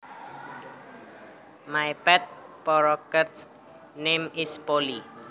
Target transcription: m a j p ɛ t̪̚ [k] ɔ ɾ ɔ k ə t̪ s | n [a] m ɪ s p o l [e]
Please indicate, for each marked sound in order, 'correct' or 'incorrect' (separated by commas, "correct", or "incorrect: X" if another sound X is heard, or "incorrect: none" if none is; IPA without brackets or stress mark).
incorrect: p, incorrect: e, incorrect: i